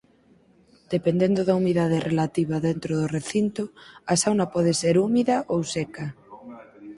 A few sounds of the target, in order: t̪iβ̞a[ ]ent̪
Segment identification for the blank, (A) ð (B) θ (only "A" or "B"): A